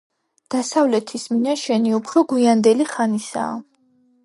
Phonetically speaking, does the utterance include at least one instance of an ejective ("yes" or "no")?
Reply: no